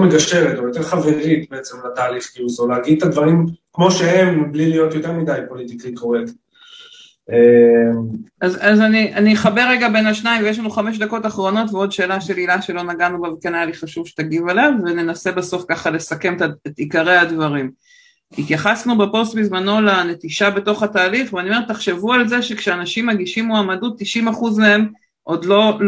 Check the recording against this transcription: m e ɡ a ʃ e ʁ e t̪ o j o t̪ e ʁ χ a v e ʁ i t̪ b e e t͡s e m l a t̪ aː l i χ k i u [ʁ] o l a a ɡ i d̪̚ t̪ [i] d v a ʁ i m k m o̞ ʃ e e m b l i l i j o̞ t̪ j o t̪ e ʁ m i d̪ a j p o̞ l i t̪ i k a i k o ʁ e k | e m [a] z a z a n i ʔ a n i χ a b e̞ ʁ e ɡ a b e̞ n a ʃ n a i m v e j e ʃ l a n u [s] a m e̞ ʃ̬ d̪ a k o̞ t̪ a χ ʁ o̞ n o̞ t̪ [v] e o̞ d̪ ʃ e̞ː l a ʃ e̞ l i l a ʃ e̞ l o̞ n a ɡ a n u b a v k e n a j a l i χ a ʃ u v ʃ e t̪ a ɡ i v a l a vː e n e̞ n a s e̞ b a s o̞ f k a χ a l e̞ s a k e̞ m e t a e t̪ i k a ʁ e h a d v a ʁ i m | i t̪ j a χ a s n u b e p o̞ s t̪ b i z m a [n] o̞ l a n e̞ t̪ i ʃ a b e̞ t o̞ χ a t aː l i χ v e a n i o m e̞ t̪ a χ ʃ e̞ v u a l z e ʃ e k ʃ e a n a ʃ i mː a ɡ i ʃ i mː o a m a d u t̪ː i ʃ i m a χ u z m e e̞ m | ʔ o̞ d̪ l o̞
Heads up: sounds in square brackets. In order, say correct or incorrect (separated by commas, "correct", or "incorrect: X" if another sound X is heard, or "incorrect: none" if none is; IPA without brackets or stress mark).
incorrect: z, incorrect: a, correct, incorrect: χ, correct, correct